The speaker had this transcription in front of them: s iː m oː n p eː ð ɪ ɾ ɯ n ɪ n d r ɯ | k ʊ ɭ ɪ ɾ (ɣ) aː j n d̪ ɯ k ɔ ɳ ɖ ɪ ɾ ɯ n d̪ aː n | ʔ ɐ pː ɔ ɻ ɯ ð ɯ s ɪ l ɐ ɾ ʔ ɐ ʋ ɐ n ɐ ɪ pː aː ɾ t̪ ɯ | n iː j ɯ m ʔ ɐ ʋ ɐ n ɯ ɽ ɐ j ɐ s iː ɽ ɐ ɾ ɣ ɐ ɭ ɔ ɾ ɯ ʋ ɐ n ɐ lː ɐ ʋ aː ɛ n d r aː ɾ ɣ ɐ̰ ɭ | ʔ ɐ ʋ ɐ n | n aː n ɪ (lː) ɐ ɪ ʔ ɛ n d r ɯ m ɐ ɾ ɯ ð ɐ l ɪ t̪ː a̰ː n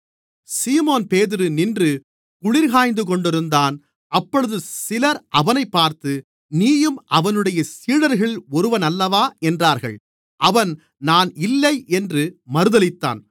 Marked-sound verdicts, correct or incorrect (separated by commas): correct, correct